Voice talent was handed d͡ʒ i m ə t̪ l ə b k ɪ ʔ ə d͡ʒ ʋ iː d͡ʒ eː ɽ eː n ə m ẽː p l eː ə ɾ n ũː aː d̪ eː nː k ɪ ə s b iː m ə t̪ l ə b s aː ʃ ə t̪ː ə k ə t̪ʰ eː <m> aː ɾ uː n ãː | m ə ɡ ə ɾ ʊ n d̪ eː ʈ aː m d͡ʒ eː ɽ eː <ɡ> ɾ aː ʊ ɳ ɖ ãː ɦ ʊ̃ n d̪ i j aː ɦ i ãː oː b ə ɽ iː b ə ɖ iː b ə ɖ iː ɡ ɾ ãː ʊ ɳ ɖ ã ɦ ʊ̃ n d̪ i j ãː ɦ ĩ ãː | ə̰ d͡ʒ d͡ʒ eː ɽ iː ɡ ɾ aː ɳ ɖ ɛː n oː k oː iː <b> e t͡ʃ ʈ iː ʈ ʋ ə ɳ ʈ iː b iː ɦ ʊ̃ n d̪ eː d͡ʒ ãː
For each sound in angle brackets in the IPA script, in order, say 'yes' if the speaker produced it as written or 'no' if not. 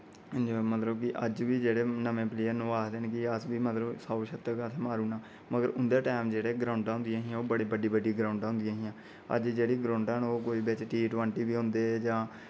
yes, yes, yes

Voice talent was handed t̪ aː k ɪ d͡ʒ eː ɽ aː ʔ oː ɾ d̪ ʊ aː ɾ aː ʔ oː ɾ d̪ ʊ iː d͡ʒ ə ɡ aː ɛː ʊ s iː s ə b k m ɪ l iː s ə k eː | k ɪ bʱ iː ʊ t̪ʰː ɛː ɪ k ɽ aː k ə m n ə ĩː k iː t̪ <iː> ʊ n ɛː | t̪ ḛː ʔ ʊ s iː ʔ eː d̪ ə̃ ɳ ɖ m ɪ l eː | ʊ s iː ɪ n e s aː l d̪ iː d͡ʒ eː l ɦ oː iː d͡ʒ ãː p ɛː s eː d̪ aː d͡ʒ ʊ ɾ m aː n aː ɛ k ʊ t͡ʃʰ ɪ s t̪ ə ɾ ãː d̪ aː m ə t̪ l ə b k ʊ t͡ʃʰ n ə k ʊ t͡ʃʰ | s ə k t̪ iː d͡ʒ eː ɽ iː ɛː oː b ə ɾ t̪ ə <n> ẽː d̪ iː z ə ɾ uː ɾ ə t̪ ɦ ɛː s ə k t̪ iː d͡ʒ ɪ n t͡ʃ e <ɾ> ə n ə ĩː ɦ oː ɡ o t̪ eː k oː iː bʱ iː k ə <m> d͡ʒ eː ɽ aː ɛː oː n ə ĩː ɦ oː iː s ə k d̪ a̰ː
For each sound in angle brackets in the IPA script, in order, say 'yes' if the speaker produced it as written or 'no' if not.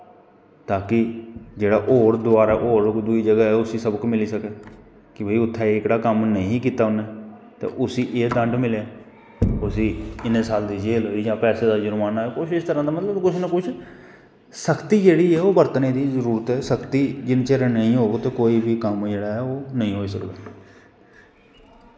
no, yes, yes, yes

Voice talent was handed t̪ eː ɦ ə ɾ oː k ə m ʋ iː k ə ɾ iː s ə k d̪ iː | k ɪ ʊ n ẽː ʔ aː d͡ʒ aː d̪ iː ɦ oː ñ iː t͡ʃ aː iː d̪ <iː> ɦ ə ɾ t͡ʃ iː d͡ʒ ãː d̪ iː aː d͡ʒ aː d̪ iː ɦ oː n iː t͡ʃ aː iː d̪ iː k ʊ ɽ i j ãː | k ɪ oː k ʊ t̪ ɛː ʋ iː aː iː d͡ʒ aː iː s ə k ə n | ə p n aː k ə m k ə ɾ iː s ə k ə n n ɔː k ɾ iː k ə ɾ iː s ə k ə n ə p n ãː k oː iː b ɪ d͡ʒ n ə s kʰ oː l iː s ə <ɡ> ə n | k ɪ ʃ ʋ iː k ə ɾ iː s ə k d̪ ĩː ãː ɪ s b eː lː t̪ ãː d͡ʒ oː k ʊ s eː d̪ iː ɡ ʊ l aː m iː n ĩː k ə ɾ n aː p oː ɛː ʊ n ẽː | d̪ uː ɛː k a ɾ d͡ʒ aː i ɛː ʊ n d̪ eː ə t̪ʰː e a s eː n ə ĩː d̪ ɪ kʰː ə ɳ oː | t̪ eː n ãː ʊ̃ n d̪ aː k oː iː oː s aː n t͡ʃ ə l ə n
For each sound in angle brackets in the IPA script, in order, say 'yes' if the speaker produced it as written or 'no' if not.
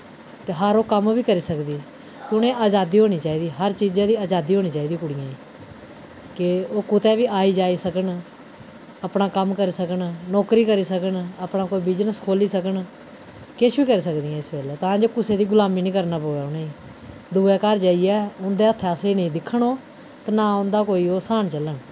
yes, no

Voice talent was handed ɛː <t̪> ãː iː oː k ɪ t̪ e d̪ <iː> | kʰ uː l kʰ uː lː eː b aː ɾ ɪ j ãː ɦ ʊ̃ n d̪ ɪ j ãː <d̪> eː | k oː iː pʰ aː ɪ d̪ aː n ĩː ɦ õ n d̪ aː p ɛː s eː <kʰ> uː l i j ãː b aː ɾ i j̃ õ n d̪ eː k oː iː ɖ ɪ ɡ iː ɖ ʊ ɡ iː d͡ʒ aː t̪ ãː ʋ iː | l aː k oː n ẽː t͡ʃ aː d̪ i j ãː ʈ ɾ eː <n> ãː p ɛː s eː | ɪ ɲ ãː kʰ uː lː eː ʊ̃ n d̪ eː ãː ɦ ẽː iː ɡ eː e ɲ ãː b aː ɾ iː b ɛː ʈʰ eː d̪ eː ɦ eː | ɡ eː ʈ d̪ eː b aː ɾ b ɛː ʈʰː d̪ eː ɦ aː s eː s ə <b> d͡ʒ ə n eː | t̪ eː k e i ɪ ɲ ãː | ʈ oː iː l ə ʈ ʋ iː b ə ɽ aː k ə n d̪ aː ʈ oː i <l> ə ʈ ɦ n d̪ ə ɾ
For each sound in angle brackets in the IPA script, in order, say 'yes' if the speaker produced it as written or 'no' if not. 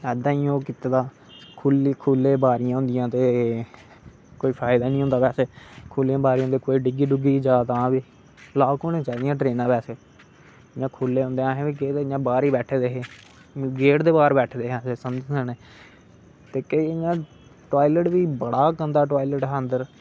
no, no, no, yes, yes, no, yes

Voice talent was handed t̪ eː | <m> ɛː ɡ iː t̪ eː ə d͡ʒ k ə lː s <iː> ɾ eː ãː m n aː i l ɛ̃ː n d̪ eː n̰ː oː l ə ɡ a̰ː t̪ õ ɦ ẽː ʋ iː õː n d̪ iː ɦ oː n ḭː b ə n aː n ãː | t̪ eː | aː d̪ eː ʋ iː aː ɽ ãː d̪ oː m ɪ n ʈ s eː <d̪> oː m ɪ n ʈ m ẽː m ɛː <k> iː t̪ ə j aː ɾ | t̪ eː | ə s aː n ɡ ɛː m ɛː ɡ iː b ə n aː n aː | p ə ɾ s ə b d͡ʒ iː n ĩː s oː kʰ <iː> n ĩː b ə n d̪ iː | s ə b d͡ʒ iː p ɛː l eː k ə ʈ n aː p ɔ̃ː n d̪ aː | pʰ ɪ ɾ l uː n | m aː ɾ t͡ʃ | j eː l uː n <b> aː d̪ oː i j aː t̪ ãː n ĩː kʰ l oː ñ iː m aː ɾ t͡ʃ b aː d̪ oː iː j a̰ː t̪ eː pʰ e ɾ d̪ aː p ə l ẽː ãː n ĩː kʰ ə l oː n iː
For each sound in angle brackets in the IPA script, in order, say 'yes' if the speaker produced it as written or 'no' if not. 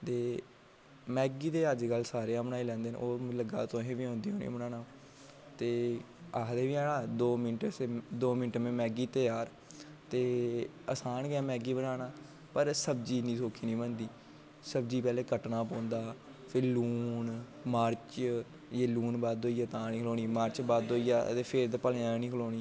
yes, no, yes, no, yes, yes

